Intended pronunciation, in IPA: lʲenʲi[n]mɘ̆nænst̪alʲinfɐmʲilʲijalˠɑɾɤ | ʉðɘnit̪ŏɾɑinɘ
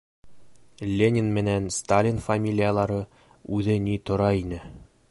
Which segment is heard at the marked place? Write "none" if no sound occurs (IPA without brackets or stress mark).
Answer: n